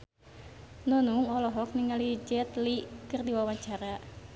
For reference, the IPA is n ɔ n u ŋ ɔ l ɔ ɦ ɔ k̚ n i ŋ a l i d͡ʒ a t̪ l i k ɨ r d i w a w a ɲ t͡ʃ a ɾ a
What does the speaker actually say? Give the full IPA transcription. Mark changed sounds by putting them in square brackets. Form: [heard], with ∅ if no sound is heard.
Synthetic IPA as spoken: n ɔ n u ŋ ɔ l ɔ ɦ ɔ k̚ n i ŋ a l i d͡ʒ [ɛ] t̪ l i k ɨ r d i w a w a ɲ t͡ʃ a ɾ a